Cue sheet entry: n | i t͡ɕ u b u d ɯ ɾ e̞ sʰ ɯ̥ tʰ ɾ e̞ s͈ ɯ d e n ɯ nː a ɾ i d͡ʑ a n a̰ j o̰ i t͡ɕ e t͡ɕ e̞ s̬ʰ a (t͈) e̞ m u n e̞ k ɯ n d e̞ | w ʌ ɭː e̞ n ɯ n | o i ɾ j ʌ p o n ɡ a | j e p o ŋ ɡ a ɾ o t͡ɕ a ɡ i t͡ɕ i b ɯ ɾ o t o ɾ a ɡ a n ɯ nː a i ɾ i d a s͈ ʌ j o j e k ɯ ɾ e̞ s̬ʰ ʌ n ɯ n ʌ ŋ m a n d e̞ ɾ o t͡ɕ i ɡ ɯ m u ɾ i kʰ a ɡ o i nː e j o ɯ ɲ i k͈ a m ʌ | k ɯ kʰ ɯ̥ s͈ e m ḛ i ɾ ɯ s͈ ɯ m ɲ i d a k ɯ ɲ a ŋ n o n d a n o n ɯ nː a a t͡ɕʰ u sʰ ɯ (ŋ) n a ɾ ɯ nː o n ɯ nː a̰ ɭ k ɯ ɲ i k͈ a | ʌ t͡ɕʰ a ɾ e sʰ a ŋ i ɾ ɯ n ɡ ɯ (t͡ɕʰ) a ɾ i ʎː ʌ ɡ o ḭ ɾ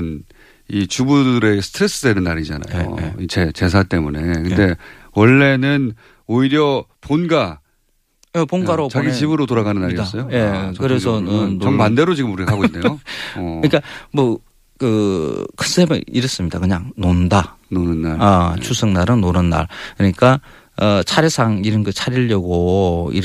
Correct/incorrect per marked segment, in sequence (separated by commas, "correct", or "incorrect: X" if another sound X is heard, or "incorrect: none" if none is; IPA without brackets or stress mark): correct, correct, correct